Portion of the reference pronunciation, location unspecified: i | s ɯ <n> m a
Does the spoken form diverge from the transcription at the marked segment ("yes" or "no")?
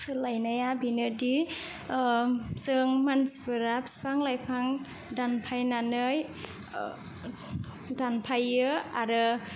yes